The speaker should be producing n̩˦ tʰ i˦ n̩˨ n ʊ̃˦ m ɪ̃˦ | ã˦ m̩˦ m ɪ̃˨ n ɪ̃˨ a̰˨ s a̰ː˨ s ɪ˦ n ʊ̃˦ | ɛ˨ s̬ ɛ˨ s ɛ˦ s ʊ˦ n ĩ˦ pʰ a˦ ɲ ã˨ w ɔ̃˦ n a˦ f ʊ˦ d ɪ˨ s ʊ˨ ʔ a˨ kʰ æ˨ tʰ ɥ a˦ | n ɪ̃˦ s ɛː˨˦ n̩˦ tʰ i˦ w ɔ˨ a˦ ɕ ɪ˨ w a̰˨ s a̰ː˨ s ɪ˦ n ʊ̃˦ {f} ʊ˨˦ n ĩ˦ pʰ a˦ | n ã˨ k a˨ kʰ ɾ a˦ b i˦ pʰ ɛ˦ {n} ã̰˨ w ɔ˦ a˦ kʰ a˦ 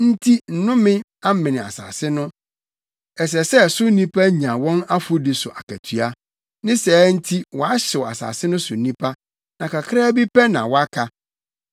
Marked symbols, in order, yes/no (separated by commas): no, yes